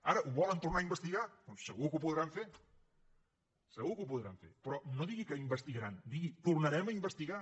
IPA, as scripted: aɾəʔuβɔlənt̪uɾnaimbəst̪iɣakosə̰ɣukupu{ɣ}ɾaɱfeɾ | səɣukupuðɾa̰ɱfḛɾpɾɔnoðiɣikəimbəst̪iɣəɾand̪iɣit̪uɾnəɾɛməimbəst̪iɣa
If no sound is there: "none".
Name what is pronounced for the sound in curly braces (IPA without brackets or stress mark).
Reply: ð